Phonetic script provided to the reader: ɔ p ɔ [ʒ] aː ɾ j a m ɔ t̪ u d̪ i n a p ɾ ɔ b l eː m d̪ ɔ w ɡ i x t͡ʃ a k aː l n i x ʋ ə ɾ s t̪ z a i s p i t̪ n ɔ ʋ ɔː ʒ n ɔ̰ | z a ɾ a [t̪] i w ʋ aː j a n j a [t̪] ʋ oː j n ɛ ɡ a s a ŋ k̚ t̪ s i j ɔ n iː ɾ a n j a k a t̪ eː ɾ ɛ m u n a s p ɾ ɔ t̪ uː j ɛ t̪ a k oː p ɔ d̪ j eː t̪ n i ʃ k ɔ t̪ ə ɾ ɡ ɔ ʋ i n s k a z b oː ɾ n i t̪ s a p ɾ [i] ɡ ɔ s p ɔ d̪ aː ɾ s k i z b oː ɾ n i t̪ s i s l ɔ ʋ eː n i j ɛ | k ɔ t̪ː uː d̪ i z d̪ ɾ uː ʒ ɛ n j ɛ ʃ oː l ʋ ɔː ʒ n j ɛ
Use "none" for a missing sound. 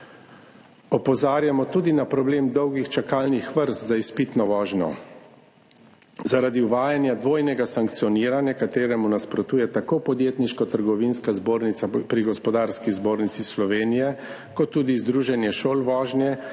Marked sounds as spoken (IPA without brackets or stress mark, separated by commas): z, d̪, d̪, i